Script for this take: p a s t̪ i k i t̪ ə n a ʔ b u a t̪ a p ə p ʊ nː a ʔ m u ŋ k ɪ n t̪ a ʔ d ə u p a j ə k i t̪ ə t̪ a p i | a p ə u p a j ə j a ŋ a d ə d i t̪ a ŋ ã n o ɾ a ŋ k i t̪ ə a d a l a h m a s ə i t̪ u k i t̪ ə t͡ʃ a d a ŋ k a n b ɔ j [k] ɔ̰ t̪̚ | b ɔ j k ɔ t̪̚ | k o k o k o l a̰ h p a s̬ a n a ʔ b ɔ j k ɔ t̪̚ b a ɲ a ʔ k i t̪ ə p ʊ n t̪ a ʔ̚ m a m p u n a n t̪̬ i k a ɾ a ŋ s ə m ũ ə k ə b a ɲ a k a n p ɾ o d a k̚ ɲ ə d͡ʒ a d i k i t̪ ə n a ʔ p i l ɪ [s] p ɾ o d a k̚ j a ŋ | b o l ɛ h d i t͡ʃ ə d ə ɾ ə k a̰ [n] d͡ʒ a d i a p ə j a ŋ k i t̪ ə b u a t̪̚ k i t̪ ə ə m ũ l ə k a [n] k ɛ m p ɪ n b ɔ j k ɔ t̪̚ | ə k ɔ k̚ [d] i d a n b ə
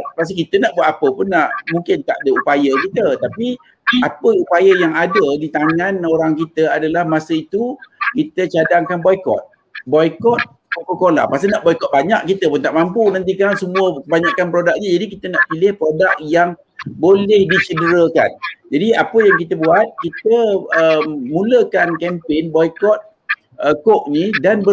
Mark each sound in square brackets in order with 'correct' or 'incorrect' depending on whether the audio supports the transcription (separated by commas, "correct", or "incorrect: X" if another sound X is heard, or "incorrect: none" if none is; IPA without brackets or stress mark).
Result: correct, incorrect: h, correct, correct, incorrect: n